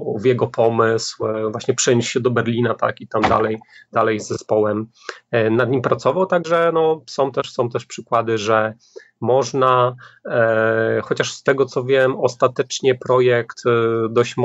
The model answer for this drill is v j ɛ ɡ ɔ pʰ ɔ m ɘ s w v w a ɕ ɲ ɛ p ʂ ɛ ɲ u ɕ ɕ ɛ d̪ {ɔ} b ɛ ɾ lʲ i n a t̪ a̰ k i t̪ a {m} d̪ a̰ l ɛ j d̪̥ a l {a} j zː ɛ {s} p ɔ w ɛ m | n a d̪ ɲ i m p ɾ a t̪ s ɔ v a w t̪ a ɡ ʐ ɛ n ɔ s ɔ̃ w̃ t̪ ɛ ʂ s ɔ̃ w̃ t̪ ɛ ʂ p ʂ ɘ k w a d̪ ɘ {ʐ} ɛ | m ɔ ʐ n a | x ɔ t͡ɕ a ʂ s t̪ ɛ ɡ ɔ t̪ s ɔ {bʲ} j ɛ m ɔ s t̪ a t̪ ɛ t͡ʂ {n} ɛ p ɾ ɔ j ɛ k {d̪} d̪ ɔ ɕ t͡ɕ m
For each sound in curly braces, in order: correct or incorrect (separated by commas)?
correct, correct, incorrect, correct, correct, incorrect, incorrect, incorrect